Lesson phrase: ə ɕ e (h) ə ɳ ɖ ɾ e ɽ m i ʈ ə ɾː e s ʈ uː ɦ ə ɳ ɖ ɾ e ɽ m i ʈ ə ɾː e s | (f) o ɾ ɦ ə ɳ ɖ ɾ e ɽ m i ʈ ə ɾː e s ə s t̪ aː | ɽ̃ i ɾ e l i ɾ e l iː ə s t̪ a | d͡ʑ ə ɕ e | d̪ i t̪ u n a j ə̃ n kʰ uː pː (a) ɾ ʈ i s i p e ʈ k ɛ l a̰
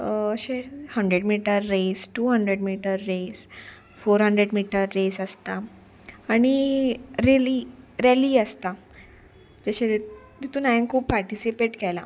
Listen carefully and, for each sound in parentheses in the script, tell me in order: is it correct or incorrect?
correct, correct, correct

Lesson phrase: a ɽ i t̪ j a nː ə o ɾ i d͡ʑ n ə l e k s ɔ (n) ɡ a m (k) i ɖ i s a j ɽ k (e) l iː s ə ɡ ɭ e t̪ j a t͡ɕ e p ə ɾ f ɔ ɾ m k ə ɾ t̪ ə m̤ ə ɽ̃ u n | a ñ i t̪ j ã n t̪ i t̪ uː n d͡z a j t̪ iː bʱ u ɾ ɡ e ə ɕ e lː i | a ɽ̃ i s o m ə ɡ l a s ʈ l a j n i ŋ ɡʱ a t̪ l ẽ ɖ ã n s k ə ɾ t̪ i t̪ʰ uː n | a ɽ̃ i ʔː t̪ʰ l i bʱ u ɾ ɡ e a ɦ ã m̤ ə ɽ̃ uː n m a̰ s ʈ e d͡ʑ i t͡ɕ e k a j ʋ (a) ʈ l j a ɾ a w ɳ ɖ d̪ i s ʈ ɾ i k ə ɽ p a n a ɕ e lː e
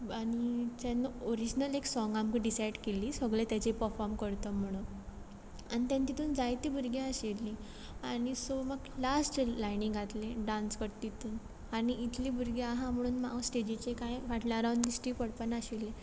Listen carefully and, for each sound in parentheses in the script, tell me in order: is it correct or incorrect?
incorrect: ŋ, correct, correct, correct

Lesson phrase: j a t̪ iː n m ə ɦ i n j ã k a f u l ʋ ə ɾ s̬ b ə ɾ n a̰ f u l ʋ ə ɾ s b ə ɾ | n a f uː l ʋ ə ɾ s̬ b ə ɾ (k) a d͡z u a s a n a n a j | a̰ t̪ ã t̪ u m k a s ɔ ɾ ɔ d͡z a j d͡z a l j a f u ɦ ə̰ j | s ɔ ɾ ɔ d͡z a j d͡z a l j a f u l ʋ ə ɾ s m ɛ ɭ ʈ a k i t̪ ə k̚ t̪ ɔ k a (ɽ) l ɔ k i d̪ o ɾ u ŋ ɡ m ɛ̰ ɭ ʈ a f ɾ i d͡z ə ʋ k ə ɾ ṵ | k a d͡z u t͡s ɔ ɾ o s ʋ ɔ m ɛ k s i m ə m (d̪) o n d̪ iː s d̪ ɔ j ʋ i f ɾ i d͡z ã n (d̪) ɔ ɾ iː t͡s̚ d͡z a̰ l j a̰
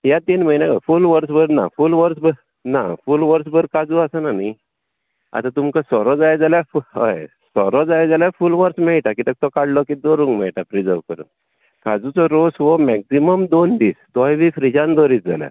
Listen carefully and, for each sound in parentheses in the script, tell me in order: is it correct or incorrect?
correct, correct, correct, correct

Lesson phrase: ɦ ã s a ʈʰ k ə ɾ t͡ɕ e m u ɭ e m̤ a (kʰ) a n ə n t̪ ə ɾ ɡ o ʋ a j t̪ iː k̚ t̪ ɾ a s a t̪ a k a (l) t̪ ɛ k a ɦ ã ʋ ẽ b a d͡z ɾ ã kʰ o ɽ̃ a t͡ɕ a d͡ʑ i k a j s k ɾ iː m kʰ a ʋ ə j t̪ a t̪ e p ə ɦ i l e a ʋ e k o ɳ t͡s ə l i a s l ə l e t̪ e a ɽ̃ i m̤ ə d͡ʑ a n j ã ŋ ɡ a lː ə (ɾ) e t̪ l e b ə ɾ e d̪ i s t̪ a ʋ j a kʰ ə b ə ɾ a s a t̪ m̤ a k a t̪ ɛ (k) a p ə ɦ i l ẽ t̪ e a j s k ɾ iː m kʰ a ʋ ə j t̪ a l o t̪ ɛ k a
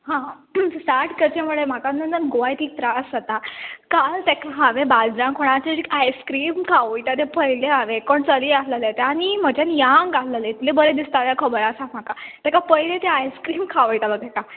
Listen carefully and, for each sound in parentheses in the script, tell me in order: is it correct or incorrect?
incorrect: k, correct, incorrect: l, correct

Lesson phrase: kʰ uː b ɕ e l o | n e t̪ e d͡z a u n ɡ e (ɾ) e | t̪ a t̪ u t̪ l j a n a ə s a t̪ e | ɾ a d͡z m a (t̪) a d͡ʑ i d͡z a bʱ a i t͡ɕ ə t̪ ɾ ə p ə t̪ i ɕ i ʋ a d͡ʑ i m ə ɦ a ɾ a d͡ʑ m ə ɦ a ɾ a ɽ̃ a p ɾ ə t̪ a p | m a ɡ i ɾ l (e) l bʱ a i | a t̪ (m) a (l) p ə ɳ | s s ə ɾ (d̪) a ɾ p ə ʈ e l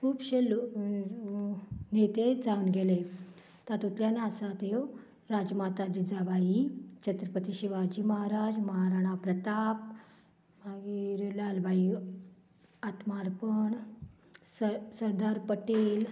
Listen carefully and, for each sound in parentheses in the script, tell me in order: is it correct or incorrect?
incorrect: l, correct, incorrect: a, correct, incorrect: ɾ, correct

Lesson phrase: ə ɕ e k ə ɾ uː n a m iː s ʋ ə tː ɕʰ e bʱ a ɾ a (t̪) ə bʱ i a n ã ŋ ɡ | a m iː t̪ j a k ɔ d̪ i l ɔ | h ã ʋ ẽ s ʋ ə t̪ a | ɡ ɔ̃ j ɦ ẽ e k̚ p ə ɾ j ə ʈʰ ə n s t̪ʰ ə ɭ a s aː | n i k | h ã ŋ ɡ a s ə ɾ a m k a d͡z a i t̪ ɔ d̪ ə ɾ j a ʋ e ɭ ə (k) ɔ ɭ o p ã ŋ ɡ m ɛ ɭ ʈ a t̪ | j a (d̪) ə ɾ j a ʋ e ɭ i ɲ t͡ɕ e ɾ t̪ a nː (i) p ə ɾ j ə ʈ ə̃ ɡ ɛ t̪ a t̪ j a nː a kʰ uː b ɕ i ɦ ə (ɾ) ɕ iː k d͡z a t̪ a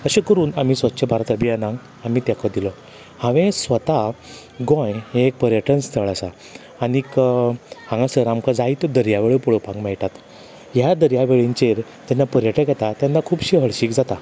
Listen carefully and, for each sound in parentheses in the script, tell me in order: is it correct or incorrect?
correct, incorrect: p, correct, incorrect: a, incorrect: ɭ

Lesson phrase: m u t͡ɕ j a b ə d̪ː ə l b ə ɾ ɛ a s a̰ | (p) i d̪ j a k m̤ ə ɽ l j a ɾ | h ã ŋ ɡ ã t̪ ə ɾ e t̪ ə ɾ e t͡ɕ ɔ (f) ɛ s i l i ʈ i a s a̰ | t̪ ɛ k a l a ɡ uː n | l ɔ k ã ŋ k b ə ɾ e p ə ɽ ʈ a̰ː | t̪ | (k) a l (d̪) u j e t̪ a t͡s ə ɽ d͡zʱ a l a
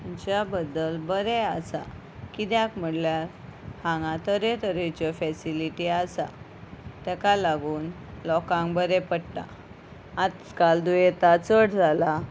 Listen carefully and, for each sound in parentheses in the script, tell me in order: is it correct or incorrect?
incorrect: k, correct, correct, correct

